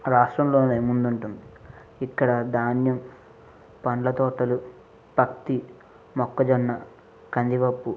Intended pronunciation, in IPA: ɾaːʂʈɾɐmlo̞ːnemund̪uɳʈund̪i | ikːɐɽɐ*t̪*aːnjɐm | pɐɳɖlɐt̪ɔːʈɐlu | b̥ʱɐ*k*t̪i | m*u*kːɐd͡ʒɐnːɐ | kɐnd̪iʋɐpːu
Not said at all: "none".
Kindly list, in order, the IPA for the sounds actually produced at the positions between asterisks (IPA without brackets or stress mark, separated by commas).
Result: d̪, k, ɔ